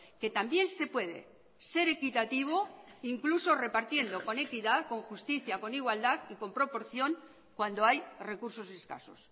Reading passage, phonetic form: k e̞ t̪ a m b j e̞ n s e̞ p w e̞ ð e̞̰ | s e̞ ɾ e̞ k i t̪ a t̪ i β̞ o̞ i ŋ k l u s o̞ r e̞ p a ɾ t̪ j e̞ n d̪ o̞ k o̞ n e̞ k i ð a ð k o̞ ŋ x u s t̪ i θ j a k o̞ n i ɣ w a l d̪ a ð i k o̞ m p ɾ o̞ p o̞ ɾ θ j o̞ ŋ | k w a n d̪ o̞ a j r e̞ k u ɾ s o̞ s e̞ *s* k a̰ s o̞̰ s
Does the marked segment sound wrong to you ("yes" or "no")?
no